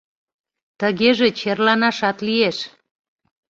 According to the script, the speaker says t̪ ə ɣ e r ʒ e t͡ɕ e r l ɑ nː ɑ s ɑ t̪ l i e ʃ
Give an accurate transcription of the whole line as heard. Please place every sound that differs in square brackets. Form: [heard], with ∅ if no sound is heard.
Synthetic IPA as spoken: t̪ ə ɣ e [∅] ʒ e t͡ɕ e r l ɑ [n] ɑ [ʃ] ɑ t̪ l i e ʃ